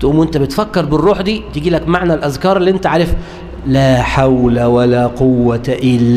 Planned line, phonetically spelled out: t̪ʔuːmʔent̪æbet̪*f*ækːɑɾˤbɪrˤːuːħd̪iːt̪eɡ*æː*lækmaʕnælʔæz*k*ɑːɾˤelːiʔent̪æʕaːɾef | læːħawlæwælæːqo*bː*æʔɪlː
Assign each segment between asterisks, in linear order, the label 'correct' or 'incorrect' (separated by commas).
correct, incorrect, correct, incorrect